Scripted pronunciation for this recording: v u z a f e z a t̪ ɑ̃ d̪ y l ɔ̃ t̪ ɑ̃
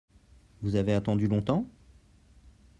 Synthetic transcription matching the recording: v u z a v e a t̪ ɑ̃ d̪ y l ɔ̃ t̪ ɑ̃